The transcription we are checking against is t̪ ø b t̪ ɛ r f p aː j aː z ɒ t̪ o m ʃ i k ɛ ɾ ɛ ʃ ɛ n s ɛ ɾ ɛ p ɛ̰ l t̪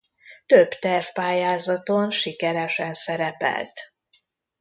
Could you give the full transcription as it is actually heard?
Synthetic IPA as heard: t̪ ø b t̪ ɛ r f p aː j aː z ɒ t̪ o n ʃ i k ɛ ɾ ɛ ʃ ɛ n s ɛ ɾ ɛ p ɛ̰ l t̪

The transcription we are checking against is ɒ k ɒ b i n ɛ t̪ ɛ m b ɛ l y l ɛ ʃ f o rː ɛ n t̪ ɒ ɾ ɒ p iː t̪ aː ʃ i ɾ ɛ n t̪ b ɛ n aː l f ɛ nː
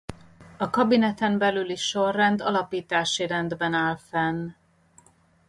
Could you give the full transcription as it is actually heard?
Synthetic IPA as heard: ɒ k ɒ b i n ɛ t̪ ɛ m b ɛ l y l i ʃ ʃ o rː ɛ n d̪ ɒ l ɒ p iː t̪ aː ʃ i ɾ ɛ n d̪ b ɛ n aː l f ɛ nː

